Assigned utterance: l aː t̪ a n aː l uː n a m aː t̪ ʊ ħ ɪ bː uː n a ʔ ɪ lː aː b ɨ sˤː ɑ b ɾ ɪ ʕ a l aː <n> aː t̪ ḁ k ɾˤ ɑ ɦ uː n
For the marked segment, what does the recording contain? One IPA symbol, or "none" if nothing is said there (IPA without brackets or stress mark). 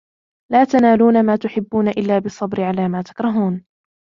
m